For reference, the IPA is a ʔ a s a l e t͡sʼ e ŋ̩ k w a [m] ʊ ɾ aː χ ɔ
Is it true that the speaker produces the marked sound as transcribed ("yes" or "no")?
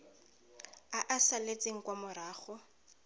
yes